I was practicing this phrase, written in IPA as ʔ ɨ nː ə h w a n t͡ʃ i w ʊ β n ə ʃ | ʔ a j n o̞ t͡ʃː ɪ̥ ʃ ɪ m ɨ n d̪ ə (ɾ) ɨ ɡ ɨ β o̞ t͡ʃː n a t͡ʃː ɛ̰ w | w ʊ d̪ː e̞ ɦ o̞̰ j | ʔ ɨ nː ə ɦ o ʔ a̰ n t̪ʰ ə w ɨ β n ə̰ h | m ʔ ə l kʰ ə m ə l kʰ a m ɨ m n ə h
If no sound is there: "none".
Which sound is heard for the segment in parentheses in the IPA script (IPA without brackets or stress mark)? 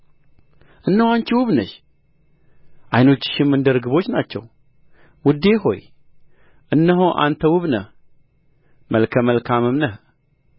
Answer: ɾ